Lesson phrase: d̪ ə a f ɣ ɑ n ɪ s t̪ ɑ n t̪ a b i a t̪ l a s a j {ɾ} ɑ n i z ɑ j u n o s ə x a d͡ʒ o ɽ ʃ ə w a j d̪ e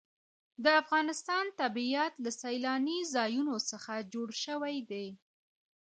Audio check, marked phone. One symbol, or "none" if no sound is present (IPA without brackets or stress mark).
l